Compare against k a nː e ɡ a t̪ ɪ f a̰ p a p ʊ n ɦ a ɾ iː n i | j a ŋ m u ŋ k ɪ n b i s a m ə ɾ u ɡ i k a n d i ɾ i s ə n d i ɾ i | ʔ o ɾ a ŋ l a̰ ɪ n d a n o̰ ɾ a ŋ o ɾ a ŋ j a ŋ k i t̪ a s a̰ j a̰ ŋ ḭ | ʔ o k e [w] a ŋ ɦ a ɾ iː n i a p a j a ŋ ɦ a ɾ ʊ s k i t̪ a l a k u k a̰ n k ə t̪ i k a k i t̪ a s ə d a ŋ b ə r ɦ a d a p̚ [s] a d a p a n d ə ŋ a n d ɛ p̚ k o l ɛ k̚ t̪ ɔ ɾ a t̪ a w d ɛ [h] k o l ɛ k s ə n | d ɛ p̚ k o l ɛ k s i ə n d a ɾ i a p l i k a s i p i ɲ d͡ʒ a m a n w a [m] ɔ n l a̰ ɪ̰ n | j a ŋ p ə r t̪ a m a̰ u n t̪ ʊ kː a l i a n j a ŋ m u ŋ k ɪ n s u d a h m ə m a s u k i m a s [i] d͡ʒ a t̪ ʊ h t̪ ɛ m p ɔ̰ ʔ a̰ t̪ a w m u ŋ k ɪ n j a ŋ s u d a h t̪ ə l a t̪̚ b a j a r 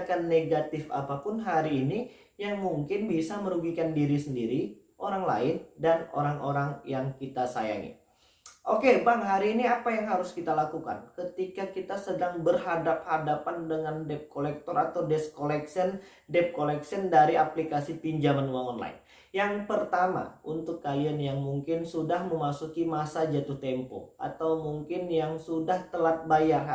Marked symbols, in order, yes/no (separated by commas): no, no, no, no, no